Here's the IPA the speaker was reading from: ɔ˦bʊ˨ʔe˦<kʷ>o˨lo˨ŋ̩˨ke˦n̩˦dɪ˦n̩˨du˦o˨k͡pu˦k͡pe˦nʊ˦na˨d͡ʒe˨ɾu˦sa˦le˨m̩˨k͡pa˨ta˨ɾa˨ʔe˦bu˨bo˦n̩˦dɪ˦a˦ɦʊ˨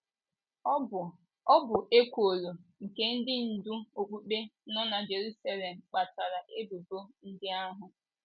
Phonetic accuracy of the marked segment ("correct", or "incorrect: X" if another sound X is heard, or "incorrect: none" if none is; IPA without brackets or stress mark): correct